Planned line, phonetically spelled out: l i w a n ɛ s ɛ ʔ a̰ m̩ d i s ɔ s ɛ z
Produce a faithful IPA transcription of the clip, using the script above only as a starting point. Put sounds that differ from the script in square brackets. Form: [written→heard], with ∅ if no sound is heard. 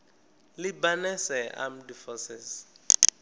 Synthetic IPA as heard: l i [w→b] a n ɛ s ɛ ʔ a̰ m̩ d i [s→f] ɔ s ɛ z

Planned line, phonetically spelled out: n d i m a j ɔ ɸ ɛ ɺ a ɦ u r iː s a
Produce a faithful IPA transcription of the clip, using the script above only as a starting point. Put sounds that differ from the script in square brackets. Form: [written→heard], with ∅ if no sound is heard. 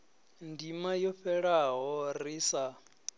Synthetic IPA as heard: n d i m a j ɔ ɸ ɛ ɺ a ɦ [u→ɔ] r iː s a

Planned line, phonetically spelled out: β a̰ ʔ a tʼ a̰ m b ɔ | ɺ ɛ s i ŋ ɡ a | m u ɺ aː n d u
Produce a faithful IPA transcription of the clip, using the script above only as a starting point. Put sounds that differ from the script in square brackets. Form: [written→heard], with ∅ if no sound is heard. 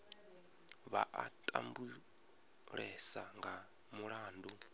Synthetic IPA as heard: β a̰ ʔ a tʼ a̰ m b [ɔ→u] | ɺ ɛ s [i→a] ŋ ɡ a | m u ɺ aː n d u

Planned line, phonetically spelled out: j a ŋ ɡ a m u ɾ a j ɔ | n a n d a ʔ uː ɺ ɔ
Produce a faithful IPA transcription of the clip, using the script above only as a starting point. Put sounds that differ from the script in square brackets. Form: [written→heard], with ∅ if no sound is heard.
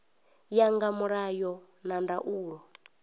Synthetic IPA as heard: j a ŋ ɡ a m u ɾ a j ɔ | n a n d a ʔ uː ɺ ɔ

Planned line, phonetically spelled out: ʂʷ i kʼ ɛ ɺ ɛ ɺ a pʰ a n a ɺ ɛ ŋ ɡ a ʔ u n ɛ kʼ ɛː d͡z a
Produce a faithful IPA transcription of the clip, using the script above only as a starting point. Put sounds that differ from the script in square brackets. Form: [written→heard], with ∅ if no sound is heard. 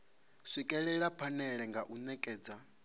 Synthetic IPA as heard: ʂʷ i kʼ ɛ ɺ ɛ ɺ a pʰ a n [a→ɛ] ɺ ɛ ŋ ɡ a ʔ u n ɛ kʼ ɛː d͡z a

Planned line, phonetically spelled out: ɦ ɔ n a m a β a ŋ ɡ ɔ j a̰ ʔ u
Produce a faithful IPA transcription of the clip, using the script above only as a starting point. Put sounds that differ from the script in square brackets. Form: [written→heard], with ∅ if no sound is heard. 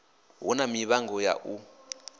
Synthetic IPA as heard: ɦ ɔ n a m [a→i] β a ŋ ɡ ɔ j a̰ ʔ u

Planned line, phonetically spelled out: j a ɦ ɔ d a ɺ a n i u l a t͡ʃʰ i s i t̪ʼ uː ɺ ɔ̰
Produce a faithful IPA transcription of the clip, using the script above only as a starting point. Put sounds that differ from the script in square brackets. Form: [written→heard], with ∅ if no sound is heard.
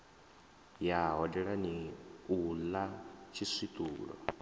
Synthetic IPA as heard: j a ɦ ɔ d [a→ɛ] ɺ a n i u l a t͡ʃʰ i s i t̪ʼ uː ɺ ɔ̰

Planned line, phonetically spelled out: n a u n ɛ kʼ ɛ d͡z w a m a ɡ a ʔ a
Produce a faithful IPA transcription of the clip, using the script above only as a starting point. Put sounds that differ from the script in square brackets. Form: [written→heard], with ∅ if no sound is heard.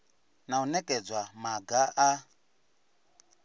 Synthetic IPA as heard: n a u n ɛ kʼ ɛ d͡z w a m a ɡ a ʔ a

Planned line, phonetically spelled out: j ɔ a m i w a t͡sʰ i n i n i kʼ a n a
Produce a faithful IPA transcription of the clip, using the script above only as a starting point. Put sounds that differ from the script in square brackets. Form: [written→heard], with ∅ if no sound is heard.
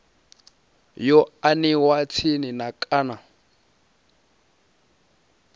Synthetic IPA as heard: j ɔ a [m→n] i w a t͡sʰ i n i n [i→a] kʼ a n a

